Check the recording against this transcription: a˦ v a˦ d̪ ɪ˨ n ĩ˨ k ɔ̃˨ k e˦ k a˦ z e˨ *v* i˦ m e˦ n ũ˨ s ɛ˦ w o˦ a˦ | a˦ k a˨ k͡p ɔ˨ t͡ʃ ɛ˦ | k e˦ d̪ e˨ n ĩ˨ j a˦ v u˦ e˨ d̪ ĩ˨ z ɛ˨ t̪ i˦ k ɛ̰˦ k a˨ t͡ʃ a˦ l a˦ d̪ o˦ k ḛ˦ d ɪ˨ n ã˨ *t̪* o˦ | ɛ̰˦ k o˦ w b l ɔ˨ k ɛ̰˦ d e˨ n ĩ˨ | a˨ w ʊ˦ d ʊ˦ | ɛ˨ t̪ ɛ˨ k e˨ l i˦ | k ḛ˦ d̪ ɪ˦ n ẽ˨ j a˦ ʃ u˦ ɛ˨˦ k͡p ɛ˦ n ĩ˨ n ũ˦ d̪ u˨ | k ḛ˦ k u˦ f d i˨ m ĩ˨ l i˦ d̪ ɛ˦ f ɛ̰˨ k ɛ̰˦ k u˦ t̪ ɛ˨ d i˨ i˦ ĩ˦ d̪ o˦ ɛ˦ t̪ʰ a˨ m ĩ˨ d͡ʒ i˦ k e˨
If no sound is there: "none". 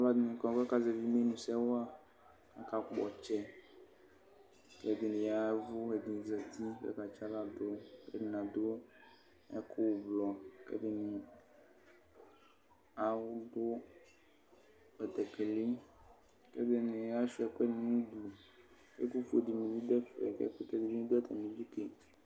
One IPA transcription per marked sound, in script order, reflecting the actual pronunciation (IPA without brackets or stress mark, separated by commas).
v, d̪